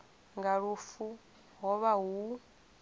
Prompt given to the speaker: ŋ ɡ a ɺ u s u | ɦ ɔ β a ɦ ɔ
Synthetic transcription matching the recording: ŋ ɡ a ɺ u f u | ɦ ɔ β a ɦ u